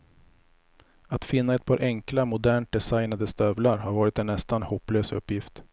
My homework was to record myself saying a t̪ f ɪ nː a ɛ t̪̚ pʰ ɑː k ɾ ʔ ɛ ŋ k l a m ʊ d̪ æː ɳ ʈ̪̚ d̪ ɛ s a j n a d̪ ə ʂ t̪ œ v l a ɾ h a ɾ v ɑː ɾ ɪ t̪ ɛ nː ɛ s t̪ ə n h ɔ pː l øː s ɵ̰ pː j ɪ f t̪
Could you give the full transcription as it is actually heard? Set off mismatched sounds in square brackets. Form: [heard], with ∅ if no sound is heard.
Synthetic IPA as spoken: a t̪ f ɪ nː a ɛ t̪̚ pʰ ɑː [∅] ɾ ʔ ɛ ŋ k l a m ʊ d̪ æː ɳ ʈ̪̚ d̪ ɛ s a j n a d̪ ə [s] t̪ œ v l a ɾ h a ɾ v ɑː ɾ ɪ t̪ ɛ nː ɛ s t̪ [a] n h ɔ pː l øː s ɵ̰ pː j ɪ f t̪